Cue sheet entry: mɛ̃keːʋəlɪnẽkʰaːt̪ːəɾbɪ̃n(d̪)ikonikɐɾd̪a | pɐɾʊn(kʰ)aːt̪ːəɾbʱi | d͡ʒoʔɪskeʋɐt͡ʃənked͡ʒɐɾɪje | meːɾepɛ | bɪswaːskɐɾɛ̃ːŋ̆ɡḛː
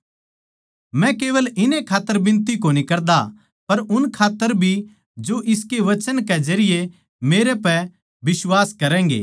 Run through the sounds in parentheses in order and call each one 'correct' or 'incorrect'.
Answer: incorrect: t̪, correct

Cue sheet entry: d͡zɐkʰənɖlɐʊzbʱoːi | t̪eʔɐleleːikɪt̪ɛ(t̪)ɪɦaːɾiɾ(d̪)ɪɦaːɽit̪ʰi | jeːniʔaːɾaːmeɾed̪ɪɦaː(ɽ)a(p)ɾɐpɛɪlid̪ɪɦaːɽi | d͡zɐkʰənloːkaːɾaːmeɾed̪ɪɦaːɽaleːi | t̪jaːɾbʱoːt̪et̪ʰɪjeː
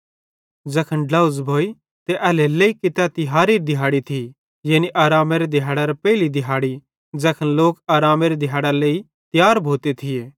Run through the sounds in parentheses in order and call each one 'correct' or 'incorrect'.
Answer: correct, correct, correct, incorrect: none

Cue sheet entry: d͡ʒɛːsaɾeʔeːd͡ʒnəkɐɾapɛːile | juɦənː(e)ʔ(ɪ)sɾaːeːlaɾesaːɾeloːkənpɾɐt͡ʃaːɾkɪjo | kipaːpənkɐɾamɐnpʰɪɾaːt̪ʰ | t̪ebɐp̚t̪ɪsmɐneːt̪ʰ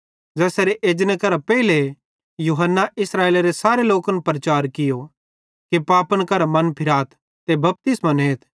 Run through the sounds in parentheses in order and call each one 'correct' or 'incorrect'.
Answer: incorrect: a, correct

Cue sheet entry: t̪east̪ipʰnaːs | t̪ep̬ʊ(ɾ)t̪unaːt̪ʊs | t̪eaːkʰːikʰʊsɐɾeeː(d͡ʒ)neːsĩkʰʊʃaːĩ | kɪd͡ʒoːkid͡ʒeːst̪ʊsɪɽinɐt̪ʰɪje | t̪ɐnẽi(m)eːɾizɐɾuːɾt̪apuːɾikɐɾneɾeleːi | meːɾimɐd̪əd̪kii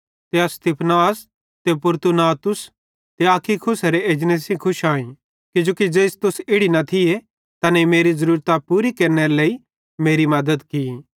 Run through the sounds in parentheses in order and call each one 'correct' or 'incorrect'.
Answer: correct, correct, correct

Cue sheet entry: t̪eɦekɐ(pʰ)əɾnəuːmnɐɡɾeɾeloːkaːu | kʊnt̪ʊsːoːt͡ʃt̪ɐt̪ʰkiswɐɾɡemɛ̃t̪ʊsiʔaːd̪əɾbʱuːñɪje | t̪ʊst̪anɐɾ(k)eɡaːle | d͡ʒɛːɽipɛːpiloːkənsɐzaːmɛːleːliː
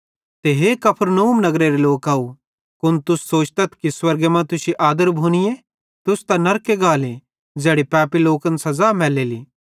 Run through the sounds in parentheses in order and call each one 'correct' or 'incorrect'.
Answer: correct, correct

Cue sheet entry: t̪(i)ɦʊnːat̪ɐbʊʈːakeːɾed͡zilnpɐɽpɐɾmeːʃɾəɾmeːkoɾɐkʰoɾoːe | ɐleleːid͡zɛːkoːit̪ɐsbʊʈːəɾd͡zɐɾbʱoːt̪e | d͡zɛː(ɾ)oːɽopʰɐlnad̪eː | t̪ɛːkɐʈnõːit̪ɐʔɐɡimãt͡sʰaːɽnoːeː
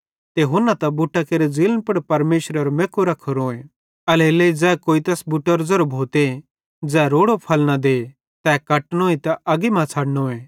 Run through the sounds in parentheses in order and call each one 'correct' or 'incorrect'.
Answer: incorrect: e, correct

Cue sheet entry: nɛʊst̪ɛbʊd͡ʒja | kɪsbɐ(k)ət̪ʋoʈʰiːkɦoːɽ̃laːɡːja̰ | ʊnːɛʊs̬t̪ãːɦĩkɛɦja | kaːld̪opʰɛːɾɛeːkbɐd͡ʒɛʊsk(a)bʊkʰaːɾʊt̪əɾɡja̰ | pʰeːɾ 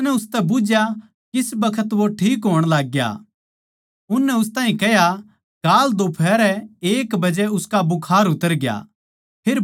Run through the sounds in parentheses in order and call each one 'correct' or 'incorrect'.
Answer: incorrect: kʰ, correct

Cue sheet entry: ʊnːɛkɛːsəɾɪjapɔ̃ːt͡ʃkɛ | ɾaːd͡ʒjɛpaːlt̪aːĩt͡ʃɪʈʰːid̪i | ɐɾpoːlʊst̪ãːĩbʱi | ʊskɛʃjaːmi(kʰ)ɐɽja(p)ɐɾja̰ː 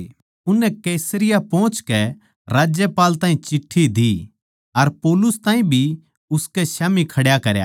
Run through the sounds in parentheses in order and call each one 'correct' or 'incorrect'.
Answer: correct, incorrect: k

